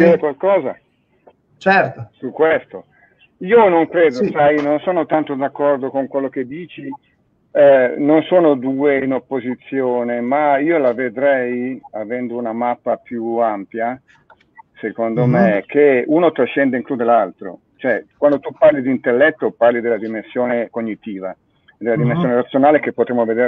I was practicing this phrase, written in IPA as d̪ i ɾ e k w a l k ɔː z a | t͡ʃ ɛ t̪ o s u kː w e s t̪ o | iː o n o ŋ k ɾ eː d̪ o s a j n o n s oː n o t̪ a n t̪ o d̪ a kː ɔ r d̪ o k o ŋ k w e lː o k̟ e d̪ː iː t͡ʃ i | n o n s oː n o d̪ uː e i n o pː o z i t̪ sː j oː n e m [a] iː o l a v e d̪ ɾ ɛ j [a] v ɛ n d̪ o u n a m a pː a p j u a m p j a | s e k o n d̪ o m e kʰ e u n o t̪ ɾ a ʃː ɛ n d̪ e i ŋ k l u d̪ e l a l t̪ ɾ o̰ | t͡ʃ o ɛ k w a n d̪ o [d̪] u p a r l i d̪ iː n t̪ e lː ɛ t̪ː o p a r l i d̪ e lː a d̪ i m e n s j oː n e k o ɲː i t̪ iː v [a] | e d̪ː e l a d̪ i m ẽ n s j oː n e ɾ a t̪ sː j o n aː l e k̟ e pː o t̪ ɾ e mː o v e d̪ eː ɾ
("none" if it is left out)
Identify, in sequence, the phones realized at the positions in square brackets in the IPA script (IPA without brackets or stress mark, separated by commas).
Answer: a, a, t̪, a